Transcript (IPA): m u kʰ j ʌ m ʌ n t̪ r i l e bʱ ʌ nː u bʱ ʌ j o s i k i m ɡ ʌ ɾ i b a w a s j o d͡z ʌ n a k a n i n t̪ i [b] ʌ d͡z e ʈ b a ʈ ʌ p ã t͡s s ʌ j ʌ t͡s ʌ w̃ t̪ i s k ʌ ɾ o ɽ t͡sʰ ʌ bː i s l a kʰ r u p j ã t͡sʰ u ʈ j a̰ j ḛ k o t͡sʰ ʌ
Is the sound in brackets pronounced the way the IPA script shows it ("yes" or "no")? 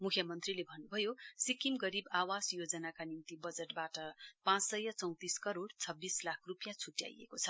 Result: yes